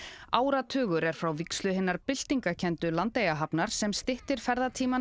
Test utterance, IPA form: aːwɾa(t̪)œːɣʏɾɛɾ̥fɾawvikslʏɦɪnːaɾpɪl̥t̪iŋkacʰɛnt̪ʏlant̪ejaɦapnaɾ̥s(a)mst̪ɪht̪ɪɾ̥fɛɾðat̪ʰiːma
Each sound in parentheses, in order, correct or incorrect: incorrect: t̪ʰ, incorrect: ɛ

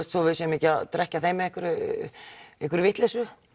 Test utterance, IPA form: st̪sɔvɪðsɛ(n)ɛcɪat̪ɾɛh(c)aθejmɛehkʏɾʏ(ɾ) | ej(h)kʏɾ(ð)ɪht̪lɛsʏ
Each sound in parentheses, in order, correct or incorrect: incorrect: m, correct, incorrect: none, correct, incorrect: v

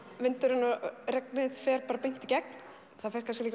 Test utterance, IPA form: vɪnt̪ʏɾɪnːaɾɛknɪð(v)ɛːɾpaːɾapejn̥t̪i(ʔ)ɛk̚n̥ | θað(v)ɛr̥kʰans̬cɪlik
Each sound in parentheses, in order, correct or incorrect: incorrect: f, incorrect: c, incorrect: f

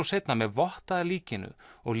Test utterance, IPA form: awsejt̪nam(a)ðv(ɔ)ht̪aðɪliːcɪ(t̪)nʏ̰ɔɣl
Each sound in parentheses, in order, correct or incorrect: incorrect: ɛ, correct, incorrect: none

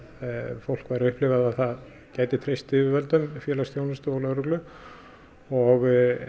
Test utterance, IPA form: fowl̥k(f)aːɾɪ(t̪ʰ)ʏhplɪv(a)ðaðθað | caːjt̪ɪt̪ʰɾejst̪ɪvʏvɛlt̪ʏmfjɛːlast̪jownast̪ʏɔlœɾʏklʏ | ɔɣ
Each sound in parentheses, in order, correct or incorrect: incorrect: v, incorrect: none, correct

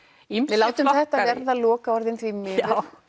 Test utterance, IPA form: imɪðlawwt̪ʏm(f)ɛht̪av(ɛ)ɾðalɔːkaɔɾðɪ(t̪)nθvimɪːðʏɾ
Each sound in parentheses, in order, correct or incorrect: incorrect: θ, correct, incorrect: none

